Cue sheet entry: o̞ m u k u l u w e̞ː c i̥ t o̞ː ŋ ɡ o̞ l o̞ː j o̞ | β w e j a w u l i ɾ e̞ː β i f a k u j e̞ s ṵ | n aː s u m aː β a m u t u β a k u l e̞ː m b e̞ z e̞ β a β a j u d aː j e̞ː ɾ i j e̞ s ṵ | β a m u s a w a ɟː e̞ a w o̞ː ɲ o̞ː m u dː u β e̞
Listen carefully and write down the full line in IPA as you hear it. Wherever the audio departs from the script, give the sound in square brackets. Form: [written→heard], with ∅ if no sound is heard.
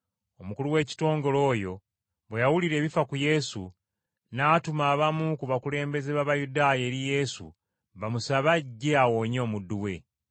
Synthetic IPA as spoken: o̞ m u k u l u w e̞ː c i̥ t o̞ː ŋ ɡ o̞ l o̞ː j o̞ | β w e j a w u l i ɾ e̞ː β i f a k u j e̞ s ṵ | n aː [s→t] u m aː β a m u [t→k] u β a k u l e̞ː m b e̞ z e̞ β a β a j u d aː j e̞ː ɾ i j e̞ s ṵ | β a m u s a [w→β] a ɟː e̞ a w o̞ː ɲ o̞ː m u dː u [β→w] e̞